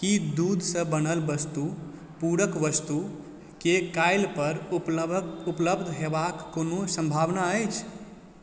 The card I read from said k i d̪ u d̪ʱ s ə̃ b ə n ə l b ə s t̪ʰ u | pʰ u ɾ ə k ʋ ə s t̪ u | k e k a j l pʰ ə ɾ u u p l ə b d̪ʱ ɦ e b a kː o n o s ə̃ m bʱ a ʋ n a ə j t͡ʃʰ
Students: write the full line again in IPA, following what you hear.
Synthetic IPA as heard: k i d̪ u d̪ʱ s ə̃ b ə n ə l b ə s t̪ u | p u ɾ ə k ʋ ə s t̪ u | k e k a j l p ə ɾ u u p l ə b d̪ʱ ɦ e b a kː o n o s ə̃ m bʱ a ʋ n a ə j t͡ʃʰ

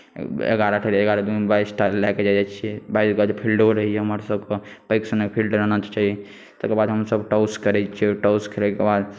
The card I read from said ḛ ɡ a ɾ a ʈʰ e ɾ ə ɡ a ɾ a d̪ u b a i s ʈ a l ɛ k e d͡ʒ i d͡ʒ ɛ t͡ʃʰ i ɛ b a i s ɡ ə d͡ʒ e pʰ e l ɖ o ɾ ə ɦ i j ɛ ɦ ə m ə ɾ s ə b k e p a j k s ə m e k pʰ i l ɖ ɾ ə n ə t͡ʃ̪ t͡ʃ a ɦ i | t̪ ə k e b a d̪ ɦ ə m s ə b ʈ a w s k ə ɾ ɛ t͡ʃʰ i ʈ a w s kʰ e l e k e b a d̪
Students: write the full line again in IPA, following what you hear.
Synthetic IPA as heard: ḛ ɡ a ɾ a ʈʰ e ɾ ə ɡ a ɾ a d̪ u b a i s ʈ a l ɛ k e d͡ʒ a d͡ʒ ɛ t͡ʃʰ i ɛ b a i s ɡ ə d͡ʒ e pʰ i l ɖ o ɾ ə ɦ i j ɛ ɦ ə m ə ɾ s ə b k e p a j k s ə n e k pʰ i l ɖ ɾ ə n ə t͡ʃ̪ t͡ʃ a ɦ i | t̪ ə k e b a d̪ ɦ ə m s ə b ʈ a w s k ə ɾ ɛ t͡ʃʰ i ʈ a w s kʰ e l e k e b a d̪

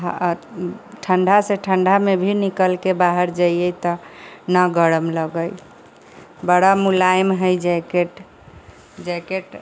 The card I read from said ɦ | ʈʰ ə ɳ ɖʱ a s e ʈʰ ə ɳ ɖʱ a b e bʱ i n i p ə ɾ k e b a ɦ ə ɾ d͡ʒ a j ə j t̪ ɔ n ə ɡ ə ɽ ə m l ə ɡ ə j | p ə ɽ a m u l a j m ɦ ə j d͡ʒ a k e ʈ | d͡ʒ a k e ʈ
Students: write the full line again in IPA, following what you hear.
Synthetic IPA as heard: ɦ | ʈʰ ə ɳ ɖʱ a s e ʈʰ ə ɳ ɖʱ a m e bʱ i n i k ə l k e b a ɦ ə ɾ d͡ʒ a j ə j t̪ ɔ n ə ɡ ə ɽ ə m l ə ɡ ə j | b ə ɽ a m u l a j m ɦ ə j d͡ʒ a k e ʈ | d͡ʒ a k e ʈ

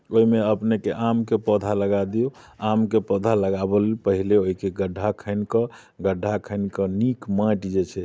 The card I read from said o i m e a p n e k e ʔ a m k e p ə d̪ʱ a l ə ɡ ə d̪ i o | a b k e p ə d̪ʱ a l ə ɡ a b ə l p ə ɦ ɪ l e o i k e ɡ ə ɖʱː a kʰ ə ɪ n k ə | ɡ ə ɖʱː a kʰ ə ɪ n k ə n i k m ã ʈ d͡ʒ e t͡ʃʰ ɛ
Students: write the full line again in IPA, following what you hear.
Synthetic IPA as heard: o i m e ə p n e k e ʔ a m k e p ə d̪ʱ a l ə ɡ a d̪ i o | a m k e p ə d̪ʱ a l ə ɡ a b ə l p ə ɦ i l e o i k e ɡ ə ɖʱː a kʰ ə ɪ n k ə | ɡ ə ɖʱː a kʰ ə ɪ n k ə n i k m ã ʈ d͡ʒ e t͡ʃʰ ɛ

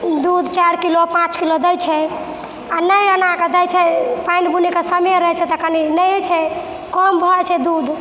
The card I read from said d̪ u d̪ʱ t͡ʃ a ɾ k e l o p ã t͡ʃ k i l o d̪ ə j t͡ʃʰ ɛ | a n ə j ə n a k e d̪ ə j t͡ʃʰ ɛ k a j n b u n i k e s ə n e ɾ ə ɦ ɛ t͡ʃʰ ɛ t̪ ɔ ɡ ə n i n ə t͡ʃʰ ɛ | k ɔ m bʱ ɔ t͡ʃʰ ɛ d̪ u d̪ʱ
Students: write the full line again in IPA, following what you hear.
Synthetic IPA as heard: d̪ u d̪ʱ t͡ʃ a ɾ k i l o p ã t͡ʃ k i l o d̪ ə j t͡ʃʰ ɛ | a n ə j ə n a k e d̪ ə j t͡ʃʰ ɛ p a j n b u n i k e s ə m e ɾ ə ɦ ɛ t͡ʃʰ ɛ t̪ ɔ k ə n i n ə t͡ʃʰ ɛ | k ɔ m bʱ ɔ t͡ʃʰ ɛ d̪ u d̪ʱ

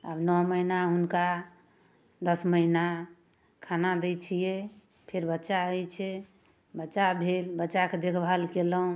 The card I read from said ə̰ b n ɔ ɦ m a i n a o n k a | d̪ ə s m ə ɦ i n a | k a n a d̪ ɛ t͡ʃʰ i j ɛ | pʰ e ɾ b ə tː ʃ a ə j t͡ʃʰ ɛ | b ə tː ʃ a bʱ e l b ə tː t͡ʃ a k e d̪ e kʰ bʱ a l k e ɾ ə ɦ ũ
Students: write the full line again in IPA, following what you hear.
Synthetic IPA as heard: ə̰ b n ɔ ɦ m ə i n a u n k a | d̪ ə s m ə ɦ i n a | kʰ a n a d̪ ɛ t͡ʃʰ i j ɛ | pʰ e ɾ b ə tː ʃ a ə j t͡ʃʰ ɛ | b ə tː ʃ a bʱ e l b ə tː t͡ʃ a k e d̪ e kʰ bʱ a l k e l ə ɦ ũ

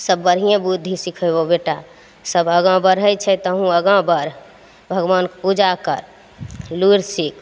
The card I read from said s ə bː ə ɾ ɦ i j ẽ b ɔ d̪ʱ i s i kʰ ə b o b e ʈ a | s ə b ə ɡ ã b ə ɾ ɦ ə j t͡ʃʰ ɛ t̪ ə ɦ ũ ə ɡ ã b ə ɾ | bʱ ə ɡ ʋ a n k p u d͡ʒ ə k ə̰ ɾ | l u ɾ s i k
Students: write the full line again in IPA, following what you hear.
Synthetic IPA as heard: s ə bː ə ɾ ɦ i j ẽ b u d̪ʱ i s i kʰ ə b o b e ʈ a | s ə b ə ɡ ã b ə ɾ ɦ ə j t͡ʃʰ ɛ t̪ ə ɦ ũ ə ɡ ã b ə ɾ | bʱ ə ɡ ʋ a n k p u d͡ʒ a k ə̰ ɾ | l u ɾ s i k

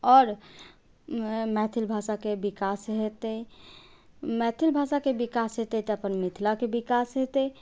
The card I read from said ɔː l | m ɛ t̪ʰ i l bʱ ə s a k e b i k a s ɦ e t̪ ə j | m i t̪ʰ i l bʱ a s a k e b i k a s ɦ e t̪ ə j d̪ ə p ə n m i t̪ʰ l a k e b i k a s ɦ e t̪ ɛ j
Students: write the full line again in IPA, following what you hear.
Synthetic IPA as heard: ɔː ɾ | m ɛ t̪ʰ i l bʱ a s a k e b i k a s ɦ e t̪ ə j | m ɛ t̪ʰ i l bʱ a s a k e b i k a s ɦ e t̪ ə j t̪ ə p ə n m i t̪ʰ l a k e b i k a s ɦ e t̪ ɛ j

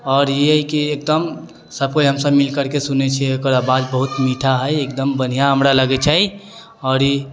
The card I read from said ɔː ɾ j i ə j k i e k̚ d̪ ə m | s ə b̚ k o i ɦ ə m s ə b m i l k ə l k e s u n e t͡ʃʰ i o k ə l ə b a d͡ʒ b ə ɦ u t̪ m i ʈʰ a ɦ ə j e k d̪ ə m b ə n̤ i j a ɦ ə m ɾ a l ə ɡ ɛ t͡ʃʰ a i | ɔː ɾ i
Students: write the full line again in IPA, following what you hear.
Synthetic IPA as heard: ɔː ɾ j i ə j k i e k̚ d̪ ə m | s ə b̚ k o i ɦ ə m s ə b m i l k ə ɾ k e s u n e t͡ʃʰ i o k ə ɾ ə b a d͡ʒ b ə ɦ u t̪ m i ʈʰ a ɦ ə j e k d̪ ə m b ə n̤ i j a ɦ ə m ɾ a l ə ɡ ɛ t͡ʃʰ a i | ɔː ɾ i

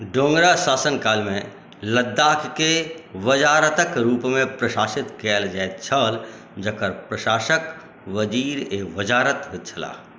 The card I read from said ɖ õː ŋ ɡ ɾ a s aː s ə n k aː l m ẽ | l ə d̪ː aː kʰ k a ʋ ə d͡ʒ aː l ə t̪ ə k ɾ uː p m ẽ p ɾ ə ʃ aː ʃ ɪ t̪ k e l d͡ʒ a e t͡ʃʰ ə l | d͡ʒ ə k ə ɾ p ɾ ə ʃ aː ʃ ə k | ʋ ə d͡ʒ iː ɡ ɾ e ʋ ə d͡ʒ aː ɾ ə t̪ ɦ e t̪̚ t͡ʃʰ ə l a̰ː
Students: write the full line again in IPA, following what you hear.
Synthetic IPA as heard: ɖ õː ŋ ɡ ɾ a s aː s ə n k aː l m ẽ | l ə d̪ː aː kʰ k e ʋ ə d͡ʒ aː ɾ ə t̪ ə k ɾ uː p m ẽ p ɾ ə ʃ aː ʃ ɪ t̪ k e l d͡ʒ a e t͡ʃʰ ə l | d͡ʒ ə k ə ɾ p ɾ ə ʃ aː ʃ ə k | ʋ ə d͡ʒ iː ɾ e ʋ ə d͡ʒ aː ɾ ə t̪ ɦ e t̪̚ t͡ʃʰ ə l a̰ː

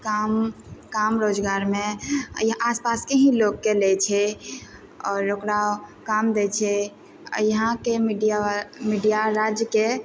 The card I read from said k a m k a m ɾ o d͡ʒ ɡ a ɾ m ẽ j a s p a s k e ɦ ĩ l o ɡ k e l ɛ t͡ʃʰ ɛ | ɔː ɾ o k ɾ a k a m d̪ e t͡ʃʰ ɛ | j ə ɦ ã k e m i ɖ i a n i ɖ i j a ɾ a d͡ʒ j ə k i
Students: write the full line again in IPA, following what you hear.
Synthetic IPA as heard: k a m k a m ɾ o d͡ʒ ɡ a ɾ m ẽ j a s p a s k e ɦ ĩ l o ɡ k e l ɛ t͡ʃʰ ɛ | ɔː ɾ o k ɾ a k a m d̪ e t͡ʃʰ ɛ | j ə ɦ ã k e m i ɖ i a m i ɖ i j a ɾ a d͡ʒ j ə k e

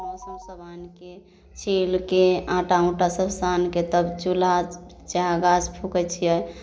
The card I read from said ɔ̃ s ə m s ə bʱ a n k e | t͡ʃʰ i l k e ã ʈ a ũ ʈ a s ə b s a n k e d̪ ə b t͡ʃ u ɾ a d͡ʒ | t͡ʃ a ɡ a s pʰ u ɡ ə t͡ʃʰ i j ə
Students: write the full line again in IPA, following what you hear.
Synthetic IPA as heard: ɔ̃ s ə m s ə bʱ a n k e | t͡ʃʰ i l k e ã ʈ a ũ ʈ a s ə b s a n k e t̪ ə b t͡ʃ u l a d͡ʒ | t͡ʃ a ɡ a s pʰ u k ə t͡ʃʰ i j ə

